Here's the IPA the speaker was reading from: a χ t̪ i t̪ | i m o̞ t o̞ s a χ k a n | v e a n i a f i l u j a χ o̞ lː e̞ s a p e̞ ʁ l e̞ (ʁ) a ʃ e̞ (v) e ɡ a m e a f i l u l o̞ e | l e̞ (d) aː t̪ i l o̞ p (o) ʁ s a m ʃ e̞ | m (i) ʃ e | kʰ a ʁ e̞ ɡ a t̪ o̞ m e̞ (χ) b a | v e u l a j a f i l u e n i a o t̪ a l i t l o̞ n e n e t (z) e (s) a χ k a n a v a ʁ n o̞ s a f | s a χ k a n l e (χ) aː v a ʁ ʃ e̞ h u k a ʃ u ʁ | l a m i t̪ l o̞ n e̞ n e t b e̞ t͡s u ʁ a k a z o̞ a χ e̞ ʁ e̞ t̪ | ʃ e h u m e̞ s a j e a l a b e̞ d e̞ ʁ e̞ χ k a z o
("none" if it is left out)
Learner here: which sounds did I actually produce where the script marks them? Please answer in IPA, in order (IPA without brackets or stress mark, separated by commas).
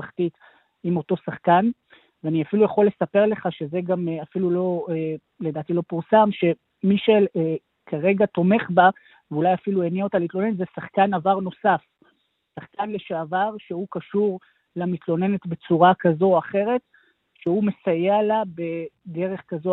χ, z, d, u, i, χ, z, s, ʃ